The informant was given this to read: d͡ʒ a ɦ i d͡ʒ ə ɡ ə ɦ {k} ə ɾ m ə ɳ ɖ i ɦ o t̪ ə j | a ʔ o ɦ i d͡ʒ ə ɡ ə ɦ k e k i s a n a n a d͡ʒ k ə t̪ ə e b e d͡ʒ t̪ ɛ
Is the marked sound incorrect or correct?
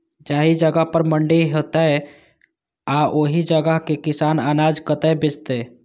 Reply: incorrect